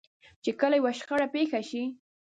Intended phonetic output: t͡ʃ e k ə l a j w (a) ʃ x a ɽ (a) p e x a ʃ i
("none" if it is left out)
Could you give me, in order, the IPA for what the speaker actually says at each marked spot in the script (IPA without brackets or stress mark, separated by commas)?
a, a